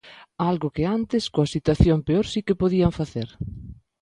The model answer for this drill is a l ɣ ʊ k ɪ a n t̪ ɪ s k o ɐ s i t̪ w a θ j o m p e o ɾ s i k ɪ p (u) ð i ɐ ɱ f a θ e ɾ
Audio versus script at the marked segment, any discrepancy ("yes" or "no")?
yes